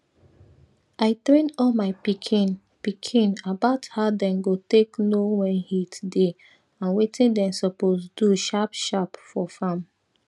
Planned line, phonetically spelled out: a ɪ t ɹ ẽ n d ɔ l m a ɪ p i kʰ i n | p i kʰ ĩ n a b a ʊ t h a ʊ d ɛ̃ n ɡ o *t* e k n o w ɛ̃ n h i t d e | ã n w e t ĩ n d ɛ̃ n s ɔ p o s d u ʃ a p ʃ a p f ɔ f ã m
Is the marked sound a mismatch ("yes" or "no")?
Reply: no